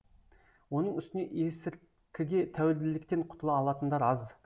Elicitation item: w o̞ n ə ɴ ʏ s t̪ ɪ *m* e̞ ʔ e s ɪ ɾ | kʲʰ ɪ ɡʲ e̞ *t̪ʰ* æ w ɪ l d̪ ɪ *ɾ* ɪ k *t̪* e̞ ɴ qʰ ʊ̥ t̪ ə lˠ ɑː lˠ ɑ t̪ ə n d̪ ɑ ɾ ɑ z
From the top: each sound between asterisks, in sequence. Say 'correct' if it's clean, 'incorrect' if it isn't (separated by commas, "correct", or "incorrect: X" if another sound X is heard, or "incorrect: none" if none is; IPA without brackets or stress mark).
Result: incorrect: n, correct, incorrect: l, correct